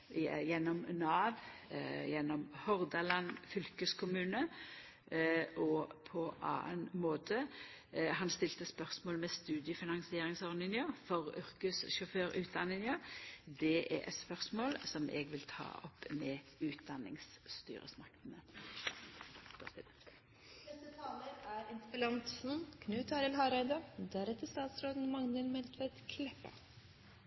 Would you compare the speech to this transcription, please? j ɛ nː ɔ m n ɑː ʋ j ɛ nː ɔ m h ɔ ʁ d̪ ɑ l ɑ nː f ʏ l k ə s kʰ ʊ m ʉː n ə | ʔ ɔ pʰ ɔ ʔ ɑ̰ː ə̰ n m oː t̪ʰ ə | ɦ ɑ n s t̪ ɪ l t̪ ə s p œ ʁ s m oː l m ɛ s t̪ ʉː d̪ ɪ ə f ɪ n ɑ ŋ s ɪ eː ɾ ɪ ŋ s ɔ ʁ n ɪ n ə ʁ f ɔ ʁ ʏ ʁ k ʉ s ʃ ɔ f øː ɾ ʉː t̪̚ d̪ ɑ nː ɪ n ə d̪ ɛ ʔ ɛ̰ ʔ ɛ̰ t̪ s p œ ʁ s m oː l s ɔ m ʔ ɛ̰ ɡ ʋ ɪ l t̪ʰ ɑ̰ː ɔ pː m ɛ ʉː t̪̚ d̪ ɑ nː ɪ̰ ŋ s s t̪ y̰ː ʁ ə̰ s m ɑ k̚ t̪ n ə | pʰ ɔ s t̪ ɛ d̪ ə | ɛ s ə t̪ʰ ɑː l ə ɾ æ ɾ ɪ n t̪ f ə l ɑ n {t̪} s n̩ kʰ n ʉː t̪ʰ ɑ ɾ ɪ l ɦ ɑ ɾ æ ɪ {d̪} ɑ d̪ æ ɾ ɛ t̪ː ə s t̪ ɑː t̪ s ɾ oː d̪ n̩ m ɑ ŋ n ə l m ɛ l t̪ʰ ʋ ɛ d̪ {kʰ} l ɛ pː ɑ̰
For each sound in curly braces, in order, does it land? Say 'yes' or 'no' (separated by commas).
yes, yes, yes